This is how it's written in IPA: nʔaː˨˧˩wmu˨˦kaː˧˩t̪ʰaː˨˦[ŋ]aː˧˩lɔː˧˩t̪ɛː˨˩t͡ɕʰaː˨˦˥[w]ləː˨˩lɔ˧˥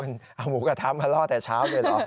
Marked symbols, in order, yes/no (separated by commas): no, yes